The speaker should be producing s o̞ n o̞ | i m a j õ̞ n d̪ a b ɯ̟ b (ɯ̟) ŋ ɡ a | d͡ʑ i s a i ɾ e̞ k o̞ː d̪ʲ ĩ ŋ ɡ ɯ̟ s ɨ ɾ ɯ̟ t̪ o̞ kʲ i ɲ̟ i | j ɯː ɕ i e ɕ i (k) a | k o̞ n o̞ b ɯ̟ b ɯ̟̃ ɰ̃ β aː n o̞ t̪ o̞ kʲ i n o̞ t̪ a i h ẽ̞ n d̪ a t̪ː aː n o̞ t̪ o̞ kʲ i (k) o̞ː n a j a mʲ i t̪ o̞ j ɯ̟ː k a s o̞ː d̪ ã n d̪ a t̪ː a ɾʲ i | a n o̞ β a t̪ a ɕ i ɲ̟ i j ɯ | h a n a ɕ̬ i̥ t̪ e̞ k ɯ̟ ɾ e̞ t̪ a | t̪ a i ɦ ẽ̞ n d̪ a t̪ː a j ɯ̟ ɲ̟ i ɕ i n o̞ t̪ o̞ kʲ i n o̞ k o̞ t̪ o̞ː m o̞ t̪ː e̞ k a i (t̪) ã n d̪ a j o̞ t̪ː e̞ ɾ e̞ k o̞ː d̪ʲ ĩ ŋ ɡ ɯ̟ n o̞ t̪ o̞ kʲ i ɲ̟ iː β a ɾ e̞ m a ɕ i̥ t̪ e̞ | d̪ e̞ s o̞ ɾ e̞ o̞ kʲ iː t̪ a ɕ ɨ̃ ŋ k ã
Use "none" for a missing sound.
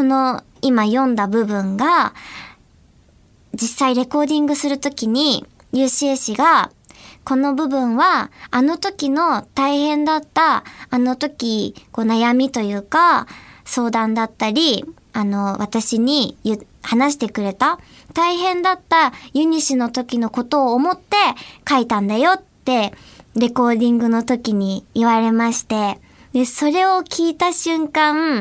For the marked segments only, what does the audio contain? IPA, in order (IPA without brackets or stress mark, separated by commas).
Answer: ɯ̟̃, ɡ, k, t̪